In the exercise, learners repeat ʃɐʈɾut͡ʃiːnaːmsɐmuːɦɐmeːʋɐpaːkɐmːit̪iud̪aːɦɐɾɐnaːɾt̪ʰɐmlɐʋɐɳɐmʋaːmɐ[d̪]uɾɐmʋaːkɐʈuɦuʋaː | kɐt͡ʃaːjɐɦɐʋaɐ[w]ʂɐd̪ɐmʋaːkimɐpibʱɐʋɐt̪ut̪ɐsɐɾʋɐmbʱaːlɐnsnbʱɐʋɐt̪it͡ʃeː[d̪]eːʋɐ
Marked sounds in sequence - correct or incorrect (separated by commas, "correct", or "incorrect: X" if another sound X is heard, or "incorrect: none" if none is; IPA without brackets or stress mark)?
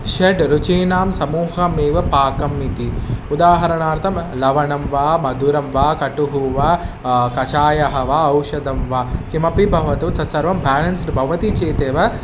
correct, correct, incorrect: t̪